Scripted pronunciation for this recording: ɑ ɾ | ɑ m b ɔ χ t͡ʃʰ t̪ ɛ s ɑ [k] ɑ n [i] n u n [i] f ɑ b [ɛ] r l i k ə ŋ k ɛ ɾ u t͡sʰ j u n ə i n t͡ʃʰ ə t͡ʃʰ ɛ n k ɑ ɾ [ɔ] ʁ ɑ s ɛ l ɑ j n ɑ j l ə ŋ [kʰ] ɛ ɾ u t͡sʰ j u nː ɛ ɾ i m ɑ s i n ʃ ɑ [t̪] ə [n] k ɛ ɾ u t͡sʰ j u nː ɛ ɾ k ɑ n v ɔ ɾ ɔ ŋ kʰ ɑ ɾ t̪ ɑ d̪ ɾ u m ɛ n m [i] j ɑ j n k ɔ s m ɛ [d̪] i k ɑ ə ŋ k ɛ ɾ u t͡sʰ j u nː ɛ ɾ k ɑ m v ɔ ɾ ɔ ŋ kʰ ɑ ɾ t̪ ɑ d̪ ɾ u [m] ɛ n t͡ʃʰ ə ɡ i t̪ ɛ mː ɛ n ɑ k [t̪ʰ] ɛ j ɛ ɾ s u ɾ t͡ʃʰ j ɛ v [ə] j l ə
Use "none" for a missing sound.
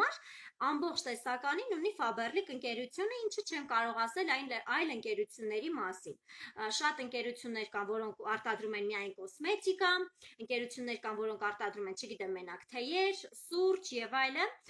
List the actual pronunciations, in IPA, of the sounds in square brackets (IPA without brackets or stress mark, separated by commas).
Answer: k, i, i, ɛ, ɔ, k, t̪, ŋ, i, t̪, m, t̪ʰ, ɑ